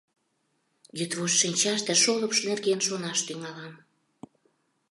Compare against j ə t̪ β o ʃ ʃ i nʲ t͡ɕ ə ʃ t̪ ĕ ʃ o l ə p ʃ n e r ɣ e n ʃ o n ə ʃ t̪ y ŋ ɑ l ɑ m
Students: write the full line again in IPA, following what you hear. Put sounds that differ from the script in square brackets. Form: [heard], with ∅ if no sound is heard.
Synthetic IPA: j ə t̪ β o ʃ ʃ i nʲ t͡ɕ [ɑ] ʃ t̪ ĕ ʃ o l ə p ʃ n e r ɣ e n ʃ o n [ɑ] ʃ t̪ y ŋ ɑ l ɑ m